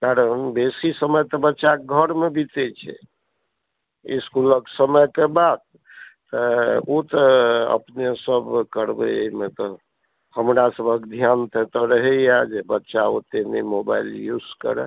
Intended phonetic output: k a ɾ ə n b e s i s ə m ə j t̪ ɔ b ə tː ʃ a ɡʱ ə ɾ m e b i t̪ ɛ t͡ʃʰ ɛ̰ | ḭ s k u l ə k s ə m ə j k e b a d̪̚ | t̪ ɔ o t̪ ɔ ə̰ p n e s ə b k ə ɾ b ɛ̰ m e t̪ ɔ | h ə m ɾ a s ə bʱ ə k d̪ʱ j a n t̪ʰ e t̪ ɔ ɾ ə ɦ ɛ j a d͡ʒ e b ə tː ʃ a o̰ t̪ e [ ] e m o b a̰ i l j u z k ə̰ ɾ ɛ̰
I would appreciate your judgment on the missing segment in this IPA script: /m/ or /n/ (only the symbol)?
n